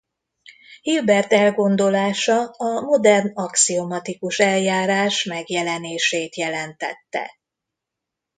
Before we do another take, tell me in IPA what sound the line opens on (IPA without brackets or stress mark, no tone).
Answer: h